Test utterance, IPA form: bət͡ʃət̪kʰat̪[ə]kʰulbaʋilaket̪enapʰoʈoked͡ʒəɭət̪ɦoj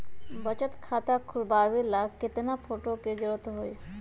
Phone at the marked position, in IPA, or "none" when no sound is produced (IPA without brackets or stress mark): a